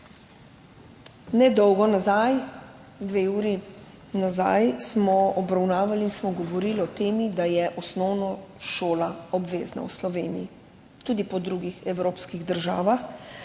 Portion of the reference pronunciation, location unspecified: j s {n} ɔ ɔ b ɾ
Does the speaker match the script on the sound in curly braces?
no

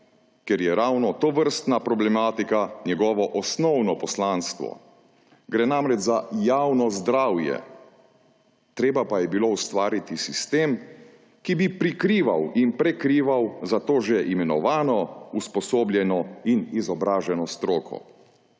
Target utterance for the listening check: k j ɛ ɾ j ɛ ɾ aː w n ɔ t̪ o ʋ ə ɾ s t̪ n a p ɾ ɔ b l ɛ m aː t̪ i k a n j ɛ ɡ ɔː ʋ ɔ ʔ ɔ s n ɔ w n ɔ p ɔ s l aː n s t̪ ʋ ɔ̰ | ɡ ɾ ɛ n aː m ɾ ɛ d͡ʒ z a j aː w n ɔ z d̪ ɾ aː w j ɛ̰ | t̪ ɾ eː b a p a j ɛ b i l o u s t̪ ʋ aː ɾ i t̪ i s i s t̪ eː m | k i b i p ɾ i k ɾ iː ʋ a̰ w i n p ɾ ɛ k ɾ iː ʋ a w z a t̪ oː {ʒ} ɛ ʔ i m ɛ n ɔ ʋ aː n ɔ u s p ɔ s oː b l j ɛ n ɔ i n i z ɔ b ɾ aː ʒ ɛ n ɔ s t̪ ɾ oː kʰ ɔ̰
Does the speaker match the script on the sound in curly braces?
yes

